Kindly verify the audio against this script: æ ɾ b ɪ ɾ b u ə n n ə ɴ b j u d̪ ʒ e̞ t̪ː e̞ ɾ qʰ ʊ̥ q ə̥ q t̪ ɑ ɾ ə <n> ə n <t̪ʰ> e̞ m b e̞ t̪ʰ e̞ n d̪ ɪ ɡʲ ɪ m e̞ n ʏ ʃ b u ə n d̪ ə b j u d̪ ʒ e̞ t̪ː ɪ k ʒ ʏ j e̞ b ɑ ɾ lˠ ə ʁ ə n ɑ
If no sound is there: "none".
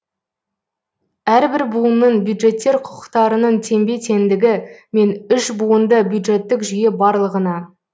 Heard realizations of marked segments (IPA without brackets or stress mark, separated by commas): n, t̪ʰ